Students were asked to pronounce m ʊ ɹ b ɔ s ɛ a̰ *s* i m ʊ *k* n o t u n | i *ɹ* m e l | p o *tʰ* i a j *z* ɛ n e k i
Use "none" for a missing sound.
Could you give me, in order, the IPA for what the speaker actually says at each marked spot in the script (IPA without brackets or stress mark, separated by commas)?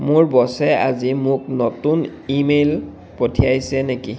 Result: z, k, none, tʰ, s